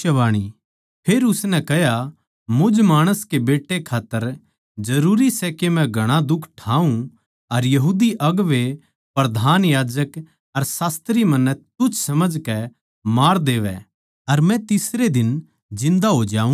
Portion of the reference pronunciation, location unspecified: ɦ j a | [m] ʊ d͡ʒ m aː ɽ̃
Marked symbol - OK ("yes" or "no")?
yes